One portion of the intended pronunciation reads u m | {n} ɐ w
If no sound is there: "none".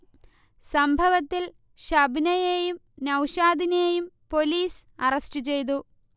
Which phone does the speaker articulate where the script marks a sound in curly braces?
n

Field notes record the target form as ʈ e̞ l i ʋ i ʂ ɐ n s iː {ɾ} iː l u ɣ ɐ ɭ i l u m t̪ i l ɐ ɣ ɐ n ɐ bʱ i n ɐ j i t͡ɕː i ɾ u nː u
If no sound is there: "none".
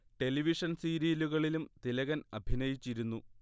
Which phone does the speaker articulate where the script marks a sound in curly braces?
ɾ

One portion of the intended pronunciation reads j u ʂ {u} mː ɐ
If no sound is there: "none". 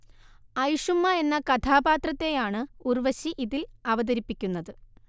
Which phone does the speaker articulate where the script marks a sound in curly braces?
u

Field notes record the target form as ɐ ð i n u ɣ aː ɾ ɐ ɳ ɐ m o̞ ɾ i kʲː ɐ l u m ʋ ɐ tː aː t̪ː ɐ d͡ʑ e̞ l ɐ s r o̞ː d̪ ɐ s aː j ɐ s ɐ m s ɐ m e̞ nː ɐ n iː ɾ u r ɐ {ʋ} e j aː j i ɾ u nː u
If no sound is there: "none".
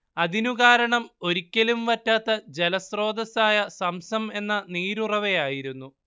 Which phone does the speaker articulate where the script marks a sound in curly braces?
ʋ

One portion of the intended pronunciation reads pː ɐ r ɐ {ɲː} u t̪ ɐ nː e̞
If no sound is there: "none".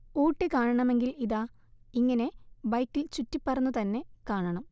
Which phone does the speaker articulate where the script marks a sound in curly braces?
nː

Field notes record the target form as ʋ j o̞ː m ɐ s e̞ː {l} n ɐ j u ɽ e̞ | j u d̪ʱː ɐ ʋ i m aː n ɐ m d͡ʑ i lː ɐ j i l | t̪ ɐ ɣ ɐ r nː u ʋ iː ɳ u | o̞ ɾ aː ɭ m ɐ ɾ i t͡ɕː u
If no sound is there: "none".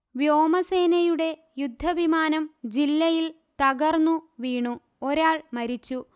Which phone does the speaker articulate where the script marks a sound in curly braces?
none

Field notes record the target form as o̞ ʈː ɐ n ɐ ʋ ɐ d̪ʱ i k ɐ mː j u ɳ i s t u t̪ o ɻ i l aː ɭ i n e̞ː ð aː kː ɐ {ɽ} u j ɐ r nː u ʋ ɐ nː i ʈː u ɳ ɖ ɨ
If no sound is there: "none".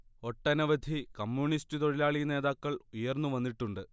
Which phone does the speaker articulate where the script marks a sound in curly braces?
ɭ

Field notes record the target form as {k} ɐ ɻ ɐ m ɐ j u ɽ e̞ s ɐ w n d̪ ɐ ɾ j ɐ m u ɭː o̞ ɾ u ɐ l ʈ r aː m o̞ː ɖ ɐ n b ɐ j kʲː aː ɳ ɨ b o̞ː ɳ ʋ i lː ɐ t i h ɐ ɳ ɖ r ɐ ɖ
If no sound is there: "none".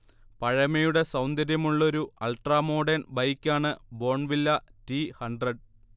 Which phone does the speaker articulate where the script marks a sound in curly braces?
p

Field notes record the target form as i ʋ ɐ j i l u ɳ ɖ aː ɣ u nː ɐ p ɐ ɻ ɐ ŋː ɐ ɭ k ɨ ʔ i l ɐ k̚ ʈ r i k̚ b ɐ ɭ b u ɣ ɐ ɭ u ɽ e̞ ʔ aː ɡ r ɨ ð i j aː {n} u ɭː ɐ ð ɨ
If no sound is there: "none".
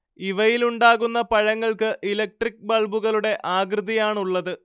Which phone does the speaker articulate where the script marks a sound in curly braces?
ɳ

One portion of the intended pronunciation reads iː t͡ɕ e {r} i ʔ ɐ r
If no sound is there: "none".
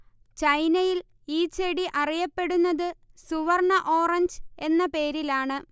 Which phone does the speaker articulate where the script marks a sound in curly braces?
ɽ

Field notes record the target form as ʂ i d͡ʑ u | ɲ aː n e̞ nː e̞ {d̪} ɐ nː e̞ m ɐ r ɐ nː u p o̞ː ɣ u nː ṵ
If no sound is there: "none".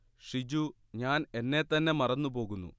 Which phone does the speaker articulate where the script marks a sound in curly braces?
t̪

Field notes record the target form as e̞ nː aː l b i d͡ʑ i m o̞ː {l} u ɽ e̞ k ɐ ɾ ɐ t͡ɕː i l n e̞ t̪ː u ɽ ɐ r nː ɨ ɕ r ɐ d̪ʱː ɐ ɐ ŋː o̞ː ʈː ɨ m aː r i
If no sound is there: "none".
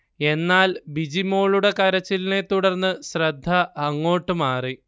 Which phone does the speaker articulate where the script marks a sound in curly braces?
ɭ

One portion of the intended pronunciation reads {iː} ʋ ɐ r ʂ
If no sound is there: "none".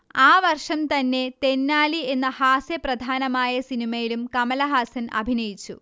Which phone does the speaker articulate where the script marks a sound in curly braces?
aː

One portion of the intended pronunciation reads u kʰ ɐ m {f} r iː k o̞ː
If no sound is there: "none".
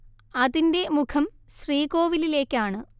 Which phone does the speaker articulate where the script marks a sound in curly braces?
ɕ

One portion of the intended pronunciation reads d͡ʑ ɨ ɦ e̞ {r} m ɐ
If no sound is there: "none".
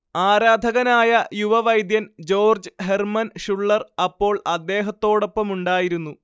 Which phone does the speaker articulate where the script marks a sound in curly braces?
r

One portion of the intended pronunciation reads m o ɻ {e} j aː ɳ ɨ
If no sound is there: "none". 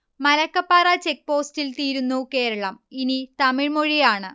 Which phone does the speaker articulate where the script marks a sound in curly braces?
i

